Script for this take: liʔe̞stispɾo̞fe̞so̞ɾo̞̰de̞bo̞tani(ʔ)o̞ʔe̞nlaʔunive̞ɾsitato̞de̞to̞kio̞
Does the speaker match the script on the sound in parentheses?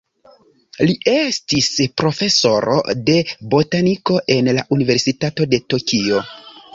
no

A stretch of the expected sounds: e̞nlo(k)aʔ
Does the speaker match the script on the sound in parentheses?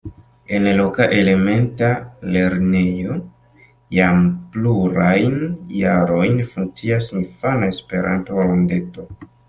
yes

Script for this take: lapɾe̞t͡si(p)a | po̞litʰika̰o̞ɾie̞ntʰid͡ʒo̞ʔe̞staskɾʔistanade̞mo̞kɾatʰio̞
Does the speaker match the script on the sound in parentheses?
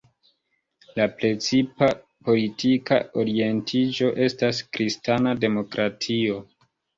yes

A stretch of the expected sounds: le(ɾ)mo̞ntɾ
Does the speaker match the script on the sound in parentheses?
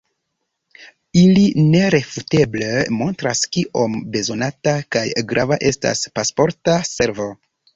no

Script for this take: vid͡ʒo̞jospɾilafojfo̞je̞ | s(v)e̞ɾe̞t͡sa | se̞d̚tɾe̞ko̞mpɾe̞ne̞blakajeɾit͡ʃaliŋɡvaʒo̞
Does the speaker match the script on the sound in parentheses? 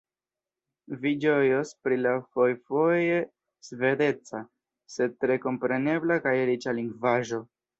yes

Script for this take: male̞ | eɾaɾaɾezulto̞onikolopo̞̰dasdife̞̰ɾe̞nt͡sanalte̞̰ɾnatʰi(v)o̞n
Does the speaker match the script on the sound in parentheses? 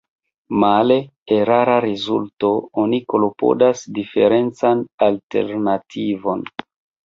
yes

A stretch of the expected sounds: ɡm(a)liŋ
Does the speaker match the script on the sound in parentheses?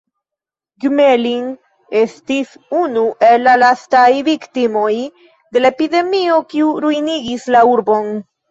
no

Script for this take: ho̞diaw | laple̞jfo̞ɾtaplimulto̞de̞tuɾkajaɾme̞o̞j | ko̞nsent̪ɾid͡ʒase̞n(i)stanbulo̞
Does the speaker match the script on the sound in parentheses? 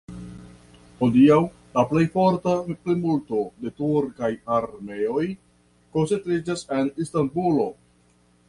yes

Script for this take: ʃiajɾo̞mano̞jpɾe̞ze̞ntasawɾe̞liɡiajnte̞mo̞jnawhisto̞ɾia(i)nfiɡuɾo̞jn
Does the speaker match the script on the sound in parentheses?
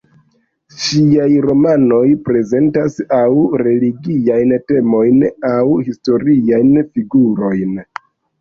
no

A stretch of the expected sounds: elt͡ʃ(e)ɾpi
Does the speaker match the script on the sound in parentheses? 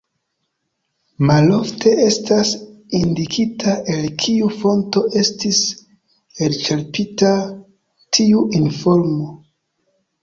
yes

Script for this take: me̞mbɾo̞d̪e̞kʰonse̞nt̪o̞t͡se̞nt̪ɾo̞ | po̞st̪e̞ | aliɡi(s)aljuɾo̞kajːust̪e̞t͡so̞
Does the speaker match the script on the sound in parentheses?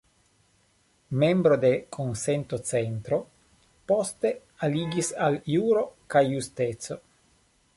yes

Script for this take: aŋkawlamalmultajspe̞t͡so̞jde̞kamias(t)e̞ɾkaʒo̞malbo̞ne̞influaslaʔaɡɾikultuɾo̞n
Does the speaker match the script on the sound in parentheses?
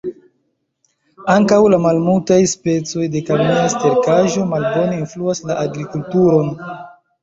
yes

